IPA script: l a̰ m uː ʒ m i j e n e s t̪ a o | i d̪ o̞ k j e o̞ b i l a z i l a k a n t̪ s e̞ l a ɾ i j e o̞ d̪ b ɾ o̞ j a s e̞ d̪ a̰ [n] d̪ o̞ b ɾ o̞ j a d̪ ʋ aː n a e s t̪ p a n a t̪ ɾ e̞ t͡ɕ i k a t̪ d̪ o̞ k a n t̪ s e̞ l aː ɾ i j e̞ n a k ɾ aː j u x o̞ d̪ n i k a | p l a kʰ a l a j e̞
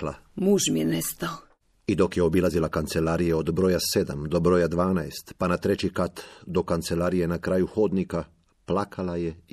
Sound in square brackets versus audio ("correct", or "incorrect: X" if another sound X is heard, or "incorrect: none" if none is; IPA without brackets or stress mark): incorrect: m